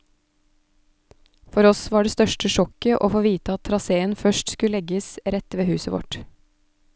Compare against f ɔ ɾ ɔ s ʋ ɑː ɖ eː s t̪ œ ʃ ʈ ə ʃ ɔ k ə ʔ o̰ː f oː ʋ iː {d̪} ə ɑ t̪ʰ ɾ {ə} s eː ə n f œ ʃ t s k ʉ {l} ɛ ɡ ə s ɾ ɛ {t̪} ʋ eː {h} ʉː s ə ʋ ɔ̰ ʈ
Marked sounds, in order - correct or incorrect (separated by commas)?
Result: incorrect, incorrect, correct, correct, correct